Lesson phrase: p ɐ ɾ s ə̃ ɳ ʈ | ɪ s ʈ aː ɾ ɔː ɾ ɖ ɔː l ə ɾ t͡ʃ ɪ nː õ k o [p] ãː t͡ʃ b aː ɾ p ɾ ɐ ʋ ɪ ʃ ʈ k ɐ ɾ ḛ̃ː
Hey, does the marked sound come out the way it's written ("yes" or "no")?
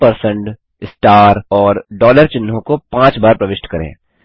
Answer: yes